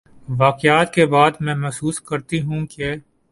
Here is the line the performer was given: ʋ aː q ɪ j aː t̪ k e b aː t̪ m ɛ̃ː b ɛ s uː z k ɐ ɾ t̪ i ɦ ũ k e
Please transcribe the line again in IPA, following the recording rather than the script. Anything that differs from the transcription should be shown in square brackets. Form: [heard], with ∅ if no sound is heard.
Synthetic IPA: ʋ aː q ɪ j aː t̪ k e b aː [d̪] m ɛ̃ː [m] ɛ s uː [s] k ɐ ɾ t̪ i ɦ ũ k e